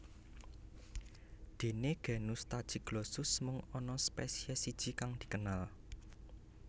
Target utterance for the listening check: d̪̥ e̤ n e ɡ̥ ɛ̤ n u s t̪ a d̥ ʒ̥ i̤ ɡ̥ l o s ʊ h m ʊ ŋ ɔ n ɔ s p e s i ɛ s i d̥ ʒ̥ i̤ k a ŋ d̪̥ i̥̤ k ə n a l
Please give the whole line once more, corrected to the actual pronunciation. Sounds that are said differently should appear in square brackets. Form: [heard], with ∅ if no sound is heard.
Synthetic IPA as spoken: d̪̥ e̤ n e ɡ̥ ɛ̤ n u s t̪ a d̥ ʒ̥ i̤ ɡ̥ l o s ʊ [s] m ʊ ŋ ɔ n ɔ s p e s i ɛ s i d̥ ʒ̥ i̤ k a ŋ d̪̥ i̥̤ k ə n a l